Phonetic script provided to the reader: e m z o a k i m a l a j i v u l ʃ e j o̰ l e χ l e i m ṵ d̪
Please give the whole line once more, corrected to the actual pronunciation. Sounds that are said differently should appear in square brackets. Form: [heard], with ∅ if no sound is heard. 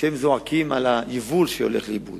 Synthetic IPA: e m z o a k i m a l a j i v u l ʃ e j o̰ l e χ l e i [b] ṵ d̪